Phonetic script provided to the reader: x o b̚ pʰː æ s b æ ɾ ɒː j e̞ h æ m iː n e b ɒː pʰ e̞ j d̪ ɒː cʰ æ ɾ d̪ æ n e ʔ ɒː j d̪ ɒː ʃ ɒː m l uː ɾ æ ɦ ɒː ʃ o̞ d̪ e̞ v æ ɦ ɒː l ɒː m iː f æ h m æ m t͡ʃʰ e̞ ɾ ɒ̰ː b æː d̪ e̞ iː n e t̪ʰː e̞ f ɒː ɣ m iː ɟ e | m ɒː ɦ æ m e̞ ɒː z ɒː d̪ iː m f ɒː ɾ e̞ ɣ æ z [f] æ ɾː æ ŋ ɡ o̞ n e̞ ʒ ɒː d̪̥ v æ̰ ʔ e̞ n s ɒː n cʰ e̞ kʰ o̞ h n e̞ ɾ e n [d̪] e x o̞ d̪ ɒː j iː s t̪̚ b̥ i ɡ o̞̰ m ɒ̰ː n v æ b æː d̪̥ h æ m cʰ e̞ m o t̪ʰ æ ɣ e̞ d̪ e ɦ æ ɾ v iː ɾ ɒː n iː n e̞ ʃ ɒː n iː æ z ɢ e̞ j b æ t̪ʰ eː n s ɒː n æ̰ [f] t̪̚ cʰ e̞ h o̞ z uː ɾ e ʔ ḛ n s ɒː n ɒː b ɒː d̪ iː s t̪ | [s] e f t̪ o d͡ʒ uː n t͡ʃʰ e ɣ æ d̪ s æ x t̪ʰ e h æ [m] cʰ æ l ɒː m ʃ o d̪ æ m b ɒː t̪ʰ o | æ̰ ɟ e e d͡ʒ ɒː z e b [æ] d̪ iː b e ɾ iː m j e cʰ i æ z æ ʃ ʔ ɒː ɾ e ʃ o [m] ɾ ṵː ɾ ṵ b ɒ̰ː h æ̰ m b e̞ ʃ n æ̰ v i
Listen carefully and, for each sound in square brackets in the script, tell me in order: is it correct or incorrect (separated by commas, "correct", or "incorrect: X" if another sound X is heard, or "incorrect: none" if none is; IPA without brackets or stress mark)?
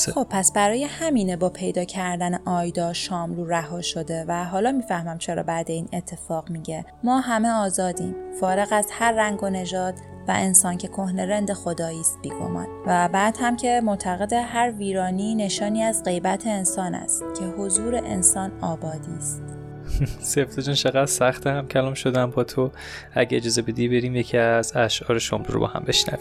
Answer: incorrect: h, correct, incorrect: s, correct, correct, incorrect: e, correct